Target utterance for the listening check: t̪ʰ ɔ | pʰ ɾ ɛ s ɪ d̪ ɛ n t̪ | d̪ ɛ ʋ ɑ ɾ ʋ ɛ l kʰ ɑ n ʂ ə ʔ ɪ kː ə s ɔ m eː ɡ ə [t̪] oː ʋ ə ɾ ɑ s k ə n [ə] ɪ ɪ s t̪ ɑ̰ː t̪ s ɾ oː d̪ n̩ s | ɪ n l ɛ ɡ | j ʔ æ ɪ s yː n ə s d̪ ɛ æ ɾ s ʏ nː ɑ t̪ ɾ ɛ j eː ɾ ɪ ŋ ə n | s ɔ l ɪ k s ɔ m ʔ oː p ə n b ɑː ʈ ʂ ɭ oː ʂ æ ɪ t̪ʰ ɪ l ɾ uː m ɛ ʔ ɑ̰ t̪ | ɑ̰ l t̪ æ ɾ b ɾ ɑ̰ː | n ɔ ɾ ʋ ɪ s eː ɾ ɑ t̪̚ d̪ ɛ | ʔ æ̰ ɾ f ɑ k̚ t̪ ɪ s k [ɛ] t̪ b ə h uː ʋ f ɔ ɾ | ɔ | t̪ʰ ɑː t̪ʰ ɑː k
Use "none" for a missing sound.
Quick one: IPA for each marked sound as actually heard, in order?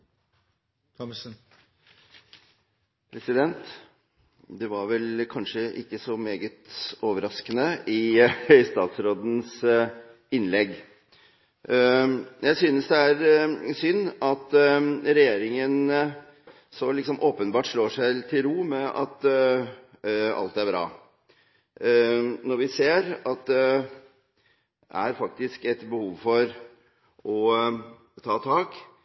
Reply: t̪, ə, ɛ

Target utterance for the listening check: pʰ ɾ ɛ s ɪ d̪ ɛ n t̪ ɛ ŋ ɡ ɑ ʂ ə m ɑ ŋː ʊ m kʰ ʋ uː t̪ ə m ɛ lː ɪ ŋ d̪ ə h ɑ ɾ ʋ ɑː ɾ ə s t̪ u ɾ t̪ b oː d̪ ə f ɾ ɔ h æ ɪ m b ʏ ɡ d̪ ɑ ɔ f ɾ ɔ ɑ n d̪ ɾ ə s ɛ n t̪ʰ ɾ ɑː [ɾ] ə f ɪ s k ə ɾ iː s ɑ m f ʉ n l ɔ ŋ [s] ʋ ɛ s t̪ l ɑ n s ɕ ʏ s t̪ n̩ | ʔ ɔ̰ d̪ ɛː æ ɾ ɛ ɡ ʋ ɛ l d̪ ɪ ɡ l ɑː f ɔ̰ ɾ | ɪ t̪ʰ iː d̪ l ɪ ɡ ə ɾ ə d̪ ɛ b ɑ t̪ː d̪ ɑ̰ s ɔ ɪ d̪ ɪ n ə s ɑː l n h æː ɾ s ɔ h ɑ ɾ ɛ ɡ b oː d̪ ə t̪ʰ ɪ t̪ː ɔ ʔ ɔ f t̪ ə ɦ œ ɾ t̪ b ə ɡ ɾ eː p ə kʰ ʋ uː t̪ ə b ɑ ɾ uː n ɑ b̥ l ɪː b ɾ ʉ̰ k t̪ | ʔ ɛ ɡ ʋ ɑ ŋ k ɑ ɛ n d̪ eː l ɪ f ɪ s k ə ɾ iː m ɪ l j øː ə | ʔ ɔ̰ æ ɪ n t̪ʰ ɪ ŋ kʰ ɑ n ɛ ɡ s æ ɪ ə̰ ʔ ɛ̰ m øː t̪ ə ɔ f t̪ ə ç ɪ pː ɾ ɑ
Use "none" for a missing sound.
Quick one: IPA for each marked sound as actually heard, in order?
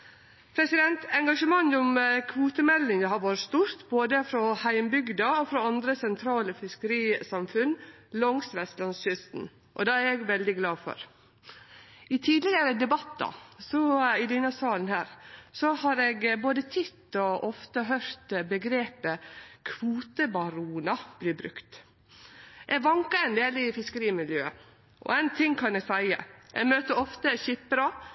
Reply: l, s

